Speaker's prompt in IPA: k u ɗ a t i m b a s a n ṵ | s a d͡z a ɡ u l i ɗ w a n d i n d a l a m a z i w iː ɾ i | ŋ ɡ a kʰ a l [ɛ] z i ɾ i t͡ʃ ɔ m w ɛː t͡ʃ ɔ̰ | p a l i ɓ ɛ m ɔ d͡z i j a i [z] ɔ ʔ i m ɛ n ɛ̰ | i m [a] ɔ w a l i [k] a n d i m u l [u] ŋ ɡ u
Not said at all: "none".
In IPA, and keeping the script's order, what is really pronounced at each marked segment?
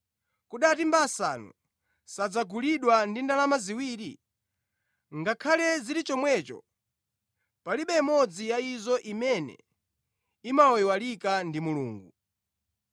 ɛ, z, a, k, uː

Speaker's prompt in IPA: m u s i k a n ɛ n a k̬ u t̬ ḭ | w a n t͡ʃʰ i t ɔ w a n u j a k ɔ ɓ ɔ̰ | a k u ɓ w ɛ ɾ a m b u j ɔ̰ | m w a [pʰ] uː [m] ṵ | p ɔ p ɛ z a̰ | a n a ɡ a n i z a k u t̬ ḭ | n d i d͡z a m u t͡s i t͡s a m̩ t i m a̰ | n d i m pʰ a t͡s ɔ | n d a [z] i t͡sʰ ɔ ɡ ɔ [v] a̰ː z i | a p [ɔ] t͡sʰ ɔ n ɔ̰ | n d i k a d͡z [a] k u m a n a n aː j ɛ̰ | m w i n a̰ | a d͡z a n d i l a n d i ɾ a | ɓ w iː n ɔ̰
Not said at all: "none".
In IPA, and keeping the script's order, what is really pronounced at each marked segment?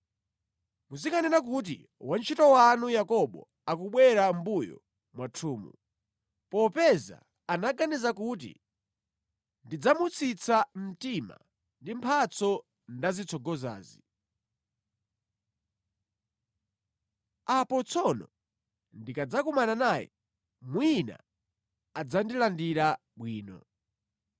tʰ, m, z, z, ɔ, a

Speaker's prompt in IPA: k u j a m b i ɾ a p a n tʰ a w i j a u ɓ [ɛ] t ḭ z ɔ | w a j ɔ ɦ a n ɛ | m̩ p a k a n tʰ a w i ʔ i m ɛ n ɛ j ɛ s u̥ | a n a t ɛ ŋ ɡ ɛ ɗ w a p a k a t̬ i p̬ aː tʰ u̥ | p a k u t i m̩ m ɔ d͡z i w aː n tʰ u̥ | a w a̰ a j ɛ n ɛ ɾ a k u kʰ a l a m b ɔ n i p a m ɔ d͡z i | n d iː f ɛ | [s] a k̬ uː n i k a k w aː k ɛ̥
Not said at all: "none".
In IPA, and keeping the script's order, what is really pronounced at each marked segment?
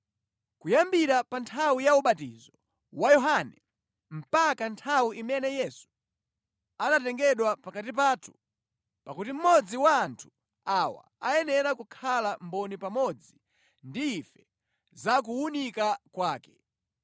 a, z

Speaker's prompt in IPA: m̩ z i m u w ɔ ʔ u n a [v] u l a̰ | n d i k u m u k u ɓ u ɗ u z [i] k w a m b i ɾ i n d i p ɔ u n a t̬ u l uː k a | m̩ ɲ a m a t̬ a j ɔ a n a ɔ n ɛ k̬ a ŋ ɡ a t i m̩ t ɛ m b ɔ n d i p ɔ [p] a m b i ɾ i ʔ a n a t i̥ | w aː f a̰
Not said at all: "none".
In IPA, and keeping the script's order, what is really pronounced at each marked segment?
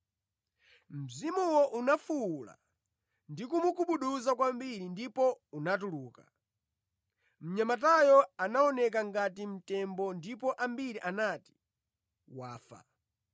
f, a, ʔ

